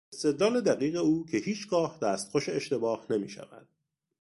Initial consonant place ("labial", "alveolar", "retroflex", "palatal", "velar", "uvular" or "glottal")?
alveolar